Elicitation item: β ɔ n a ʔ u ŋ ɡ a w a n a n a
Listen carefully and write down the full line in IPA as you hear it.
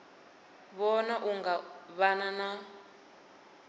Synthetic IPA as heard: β ɔ n a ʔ u ŋ ɡ a β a n a n a